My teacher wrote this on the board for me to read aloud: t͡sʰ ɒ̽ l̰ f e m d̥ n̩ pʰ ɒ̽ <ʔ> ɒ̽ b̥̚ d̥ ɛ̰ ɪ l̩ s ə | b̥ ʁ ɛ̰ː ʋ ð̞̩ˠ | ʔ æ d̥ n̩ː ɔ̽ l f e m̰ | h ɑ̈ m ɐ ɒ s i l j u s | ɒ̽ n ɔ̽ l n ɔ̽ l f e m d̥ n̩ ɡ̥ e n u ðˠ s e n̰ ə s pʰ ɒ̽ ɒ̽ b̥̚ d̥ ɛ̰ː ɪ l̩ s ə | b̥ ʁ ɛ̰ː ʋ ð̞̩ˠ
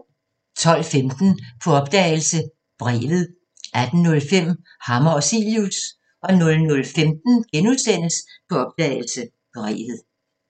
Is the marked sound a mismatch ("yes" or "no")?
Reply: yes